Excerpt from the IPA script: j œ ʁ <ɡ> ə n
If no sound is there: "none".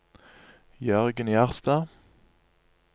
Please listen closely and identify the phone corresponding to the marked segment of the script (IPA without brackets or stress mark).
ɡ